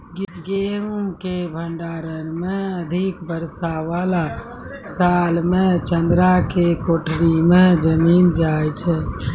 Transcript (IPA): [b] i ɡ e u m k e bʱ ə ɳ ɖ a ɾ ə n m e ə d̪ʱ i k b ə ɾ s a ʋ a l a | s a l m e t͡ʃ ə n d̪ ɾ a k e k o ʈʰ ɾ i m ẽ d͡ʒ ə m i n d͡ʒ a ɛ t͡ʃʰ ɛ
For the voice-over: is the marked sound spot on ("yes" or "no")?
no